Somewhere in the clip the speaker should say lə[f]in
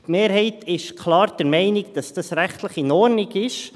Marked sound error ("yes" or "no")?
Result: yes